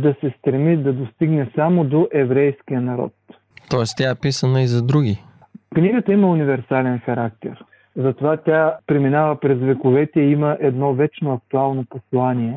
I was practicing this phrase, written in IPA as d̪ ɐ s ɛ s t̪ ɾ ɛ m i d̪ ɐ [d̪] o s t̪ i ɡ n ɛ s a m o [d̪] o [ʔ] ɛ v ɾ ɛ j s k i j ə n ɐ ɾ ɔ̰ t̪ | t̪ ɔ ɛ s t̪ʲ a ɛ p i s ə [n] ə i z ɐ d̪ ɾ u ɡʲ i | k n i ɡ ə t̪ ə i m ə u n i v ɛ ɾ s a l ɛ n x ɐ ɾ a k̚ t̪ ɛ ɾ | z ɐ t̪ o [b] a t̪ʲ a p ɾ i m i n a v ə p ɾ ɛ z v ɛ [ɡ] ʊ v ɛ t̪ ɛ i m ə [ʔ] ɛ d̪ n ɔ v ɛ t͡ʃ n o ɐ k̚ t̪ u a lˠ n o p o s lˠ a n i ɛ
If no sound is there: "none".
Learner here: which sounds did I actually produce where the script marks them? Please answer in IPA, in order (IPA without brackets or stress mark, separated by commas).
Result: d̪, d̪, ʔ, n, v, k, ʔ